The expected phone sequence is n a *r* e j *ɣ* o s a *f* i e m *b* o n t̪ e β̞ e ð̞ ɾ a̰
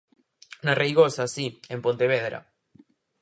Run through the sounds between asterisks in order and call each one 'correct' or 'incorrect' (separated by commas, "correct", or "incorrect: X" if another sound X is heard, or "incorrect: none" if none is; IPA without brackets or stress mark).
correct, correct, incorrect: s, incorrect: p